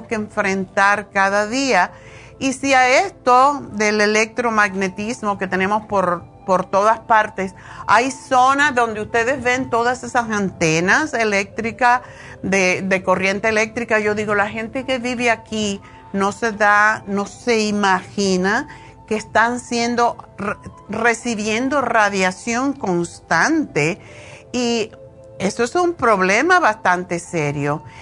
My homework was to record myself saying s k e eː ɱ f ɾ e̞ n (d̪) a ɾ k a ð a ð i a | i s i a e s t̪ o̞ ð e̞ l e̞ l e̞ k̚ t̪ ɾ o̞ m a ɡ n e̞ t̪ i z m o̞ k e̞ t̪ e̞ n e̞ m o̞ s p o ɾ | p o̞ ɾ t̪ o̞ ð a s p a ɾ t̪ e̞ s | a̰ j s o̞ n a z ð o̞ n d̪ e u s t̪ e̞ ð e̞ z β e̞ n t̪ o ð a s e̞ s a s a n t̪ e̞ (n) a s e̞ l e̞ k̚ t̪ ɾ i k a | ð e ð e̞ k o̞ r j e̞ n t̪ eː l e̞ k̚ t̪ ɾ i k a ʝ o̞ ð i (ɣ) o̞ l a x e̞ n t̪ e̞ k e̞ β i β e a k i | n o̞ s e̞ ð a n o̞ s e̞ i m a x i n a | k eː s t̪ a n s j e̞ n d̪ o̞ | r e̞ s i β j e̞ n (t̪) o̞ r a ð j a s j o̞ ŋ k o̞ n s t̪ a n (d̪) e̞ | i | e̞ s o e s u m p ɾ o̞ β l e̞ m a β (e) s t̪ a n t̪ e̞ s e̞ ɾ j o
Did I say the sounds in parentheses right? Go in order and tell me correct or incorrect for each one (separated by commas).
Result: incorrect, correct, correct, incorrect, incorrect, incorrect